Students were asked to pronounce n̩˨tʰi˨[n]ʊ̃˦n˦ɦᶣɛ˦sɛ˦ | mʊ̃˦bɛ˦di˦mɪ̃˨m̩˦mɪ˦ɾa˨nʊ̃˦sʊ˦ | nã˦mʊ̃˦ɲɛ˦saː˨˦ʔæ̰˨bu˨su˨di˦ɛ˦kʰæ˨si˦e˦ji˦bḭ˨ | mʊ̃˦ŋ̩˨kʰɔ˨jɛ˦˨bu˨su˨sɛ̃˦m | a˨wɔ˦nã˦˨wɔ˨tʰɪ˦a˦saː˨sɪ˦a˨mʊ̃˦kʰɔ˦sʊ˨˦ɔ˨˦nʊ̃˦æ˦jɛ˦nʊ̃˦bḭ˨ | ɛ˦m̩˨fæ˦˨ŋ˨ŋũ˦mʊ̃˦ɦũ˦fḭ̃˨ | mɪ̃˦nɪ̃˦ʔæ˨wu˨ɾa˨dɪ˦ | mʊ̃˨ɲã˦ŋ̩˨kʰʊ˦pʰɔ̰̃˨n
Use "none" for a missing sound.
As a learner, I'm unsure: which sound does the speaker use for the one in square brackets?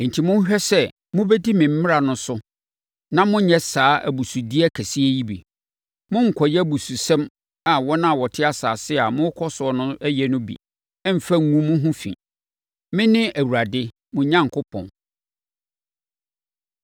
m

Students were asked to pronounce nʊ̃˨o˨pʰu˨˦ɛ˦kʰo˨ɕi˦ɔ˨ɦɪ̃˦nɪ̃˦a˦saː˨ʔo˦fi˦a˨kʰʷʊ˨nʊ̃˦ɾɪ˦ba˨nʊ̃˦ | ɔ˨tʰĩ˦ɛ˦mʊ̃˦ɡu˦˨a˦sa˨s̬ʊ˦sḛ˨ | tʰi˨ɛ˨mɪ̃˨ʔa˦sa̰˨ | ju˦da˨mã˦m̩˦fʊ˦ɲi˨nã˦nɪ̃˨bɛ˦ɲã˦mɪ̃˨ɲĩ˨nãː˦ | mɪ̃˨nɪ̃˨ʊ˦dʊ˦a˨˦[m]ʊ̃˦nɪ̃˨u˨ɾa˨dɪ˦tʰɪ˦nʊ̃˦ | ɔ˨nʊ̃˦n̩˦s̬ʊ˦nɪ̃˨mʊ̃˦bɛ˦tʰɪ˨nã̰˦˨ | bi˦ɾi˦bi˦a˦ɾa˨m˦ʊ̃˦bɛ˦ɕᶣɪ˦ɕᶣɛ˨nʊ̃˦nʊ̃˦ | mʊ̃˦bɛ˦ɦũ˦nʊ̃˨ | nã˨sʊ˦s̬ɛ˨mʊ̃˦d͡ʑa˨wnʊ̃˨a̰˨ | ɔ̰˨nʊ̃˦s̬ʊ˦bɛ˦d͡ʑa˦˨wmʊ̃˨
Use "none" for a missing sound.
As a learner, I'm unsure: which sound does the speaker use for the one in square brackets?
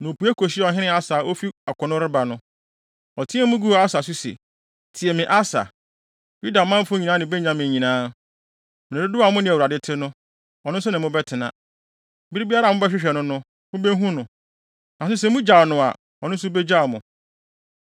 m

